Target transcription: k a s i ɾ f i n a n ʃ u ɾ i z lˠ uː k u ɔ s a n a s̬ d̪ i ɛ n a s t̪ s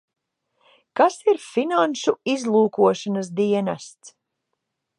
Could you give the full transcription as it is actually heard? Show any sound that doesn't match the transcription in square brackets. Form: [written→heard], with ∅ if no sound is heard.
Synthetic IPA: k a s i ɾ f i n a n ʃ u [ɾ→∅] i z lˠ uː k u ɔ [s→ʃ] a n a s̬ d̪ i ɛ n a s t̪ s